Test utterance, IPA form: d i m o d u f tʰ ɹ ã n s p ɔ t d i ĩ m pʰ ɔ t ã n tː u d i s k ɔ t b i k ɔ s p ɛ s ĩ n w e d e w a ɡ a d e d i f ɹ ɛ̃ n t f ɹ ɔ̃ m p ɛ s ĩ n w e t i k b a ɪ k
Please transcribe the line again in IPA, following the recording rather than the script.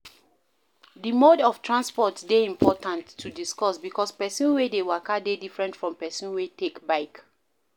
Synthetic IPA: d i m o d ɔ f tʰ ɹ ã n s p ɔ t d e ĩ m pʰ ɔ t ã n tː u d i s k ɔ s b i k ɔ s p ɛ s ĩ n w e d e w a k a d e d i f ɹ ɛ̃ n t f ɹ ɔ̃ m p ɛ s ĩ n w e t e k b a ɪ k